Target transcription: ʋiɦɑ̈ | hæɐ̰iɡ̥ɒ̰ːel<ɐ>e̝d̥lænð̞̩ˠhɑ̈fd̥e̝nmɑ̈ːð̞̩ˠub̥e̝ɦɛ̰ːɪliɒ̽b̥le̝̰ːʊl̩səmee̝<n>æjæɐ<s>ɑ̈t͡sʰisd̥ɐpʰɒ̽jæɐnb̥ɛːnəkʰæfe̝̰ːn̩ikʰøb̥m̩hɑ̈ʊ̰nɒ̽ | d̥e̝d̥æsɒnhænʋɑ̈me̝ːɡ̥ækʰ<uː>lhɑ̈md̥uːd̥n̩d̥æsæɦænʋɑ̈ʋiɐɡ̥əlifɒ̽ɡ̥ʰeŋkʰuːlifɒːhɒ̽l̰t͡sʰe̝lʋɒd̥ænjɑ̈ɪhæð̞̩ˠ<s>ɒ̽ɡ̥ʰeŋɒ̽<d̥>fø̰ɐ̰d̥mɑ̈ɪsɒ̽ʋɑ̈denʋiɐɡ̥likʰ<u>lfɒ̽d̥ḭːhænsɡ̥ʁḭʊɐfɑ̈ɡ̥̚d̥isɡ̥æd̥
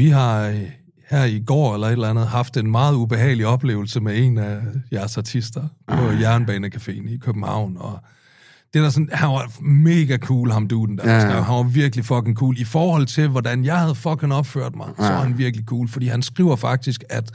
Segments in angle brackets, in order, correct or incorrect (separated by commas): correct, correct, correct, correct, incorrect, incorrect, incorrect